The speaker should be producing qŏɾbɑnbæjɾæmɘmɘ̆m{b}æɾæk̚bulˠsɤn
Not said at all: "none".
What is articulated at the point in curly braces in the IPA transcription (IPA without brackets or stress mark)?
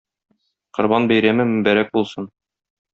b